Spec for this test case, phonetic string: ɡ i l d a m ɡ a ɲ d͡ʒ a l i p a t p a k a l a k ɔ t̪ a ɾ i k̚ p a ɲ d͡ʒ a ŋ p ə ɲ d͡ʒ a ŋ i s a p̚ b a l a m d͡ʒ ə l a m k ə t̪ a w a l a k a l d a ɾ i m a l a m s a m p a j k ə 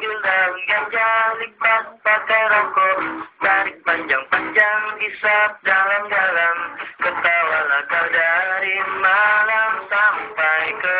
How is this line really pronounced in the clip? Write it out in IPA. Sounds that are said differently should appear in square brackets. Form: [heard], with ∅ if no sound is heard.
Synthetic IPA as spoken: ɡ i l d a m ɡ a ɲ d͡ʒ a l i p a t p a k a [ɾ] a k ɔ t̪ a ɾ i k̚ p a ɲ d͡ʒ a ŋ p [a] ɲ d͡ʒ a ŋ i s a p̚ [d] a l a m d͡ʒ [a] l a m k ə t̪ a w a l a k a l d a ɾ i m a l a m s a m p a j k ə